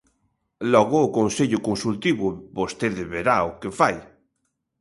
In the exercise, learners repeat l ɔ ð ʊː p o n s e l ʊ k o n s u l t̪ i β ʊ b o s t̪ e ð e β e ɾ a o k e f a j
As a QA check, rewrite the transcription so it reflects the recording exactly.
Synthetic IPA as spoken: l ɔ ɣ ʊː k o n s e ʎ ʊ k o n s u l t̪ i β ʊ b o s t̪ e ð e β e ɾ a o k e f a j